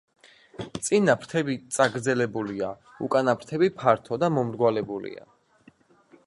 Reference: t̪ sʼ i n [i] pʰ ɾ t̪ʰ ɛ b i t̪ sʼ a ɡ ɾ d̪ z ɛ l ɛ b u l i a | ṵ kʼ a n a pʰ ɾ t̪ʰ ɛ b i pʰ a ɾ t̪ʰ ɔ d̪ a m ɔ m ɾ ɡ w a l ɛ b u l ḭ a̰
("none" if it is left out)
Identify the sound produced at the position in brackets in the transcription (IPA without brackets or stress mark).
a